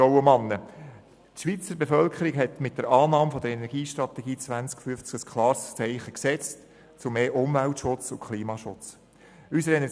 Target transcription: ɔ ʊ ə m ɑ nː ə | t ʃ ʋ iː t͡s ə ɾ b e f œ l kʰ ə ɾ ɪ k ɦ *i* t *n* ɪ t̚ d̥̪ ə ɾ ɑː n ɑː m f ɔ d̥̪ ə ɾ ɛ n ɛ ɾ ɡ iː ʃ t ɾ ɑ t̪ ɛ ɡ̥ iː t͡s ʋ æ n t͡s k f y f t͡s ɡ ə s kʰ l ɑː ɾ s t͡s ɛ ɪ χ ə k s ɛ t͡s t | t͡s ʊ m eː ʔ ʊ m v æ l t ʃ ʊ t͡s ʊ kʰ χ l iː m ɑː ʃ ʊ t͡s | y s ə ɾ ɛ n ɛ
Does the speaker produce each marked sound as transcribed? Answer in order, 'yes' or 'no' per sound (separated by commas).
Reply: no, no